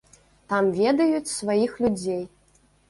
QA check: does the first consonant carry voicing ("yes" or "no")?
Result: no